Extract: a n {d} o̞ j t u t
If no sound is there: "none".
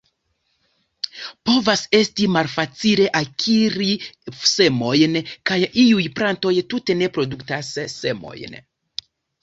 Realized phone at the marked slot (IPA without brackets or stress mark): t